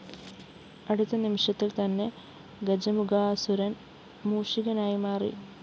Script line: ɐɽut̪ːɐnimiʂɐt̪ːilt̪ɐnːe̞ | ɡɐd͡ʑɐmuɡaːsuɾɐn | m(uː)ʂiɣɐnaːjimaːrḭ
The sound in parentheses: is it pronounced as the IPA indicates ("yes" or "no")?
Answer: yes